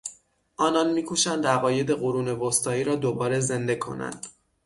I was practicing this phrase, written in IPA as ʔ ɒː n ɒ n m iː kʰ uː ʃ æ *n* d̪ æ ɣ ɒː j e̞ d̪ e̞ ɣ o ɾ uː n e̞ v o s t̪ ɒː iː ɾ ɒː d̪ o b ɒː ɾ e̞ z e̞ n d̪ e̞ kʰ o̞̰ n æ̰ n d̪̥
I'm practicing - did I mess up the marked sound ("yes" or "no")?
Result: no